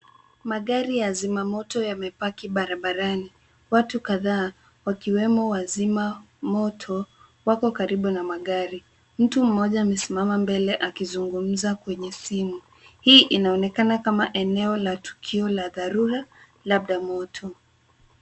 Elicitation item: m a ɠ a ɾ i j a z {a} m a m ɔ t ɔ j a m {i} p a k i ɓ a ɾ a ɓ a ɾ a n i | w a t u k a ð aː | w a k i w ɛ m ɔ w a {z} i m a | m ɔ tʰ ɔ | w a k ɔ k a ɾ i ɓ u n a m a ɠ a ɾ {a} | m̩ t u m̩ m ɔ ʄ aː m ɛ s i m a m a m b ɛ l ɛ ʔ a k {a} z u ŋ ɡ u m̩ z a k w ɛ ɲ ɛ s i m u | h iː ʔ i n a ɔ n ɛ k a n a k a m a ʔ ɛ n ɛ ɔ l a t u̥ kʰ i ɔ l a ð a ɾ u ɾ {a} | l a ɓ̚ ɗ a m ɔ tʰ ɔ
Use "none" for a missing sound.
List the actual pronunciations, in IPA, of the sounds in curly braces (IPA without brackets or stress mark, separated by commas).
i, ɛ, z, i, i, a